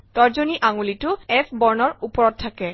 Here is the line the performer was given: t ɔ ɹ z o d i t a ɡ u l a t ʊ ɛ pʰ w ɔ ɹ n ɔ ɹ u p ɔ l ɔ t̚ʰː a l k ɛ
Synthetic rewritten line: t ɔ ɹ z o n i ʔ a ŋ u l i t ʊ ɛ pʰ b ɔ ɹ n ɔ ɹ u p ɔ ɹ ɔ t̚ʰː a k ɛ

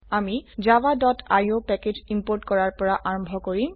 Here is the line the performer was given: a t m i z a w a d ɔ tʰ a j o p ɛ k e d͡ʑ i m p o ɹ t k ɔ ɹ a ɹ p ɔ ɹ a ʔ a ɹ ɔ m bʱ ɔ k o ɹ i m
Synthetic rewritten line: a m i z a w a d ɔ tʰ a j o p ɛ k e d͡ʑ i m p o ɹ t k ɔ ɹ a ɹ p ɔ ɹ a ʔ a ɹ ɔ m bʱ ɔ k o ɹ i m

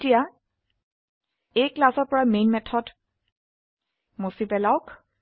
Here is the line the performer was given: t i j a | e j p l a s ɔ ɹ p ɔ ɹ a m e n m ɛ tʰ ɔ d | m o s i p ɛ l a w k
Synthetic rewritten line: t i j a | e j k l a s ɔ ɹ p ɔ ɹ a m e n m ɛ tʰ ɔ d | m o s i p ɛ l a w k

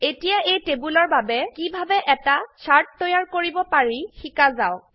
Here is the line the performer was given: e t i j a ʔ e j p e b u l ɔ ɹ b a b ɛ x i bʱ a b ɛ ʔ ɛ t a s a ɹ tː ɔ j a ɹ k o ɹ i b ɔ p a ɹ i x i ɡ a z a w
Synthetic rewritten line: e t i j a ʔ e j t e b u l ɔ ɹ b a b ɛ k i bʱ a b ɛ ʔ ɛ t a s a ɹ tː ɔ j a ɹ k o ɹ i b ɔ p a ɹ i x i k a z a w

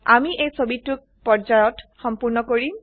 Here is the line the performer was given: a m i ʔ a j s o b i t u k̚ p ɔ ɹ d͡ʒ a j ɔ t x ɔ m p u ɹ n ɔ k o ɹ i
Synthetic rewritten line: a m i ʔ e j s o b i t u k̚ p ɔ ɹ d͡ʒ a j ɔ t x ɔ m p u ɹ n ɔ k o ɹ i

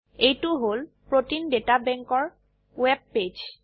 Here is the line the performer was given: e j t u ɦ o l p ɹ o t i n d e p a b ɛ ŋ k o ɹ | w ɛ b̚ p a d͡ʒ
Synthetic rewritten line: e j t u ɦ o l p ɹ o t i n d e t a b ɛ ŋ k ɔ ɹ | w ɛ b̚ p e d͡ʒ

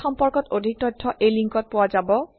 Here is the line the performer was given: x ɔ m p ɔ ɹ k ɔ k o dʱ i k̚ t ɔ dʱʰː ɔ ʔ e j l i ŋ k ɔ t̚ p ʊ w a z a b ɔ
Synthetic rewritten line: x ɔ m p ɔ ɹ k ɔ t o dʱ i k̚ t ɔ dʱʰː ɔ ʔ e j l i ŋ k ɔ t̚ p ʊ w a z a b ɔ

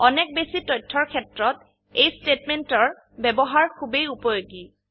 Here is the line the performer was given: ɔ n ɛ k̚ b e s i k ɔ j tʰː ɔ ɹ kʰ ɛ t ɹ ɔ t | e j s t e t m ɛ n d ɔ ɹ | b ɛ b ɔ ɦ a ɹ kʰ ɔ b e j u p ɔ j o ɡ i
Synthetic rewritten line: ɔ n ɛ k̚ b e s i t ɔ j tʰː ɔ ɹ kʰ ɛ t ɹ ɔ t | e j s t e t m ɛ n t ɔ ɹ | b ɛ b ɔ ɦ a ɹ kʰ u b e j u p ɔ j o ɡ i

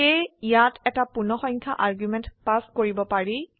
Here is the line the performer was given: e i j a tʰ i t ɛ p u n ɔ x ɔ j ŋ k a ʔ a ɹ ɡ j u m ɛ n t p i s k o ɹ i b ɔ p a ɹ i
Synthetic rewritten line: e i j a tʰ ɛ t a p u n ɔ x ɔ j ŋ kʰ a ʔ a ɹ ɡ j u m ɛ n t p a s k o ɹ i b ɔ p a ɹ i

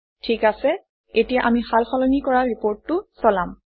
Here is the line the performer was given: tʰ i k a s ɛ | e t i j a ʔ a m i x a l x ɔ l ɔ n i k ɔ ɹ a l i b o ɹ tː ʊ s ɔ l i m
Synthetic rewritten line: tʰ i k a s ɛ | e t i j a ʔ a m i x a l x ɔ l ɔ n i k ɔ ɹ a ɹ i p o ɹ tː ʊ s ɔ l a m

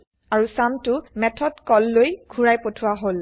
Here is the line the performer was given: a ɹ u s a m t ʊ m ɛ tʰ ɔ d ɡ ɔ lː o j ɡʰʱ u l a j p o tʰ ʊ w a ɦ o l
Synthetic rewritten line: a ɹ u s a m t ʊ m ɛ tʰ ɔ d k ɔ lː o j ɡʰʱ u ɹ a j p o tʰ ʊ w a ɦ o l

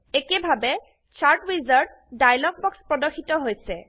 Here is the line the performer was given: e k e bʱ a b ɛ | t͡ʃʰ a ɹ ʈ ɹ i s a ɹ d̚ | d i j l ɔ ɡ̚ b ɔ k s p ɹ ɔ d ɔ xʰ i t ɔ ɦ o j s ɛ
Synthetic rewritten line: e k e bʱ a b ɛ | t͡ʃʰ a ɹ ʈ ɹ i z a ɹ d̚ | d a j l ɔ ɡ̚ b ɔ k s p ɹ ɔ d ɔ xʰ i t ɔ ɦ o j s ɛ

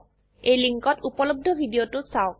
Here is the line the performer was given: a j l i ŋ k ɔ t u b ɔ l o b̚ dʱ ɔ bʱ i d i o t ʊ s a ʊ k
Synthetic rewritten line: e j l i ŋ k ɔ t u p ɔ l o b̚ dʱ ɔ bʱ i d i o t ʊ s a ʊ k

